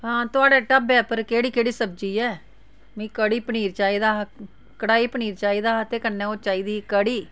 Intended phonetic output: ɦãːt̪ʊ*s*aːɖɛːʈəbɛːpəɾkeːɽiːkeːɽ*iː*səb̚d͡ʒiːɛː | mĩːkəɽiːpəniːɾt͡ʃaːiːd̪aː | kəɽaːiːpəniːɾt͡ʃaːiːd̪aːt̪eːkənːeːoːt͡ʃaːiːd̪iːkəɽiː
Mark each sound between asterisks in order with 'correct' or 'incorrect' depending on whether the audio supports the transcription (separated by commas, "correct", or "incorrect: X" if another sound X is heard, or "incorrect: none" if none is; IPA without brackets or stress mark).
incorrect: none, correct